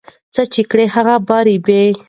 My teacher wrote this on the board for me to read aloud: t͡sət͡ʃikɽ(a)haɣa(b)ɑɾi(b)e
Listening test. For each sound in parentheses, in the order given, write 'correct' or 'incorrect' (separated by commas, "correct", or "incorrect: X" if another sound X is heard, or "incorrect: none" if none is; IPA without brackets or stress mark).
incorrect: e, correct, correct